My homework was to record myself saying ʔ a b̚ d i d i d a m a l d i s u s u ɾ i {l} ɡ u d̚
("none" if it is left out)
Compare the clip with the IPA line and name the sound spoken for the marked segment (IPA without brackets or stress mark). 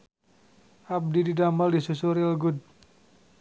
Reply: l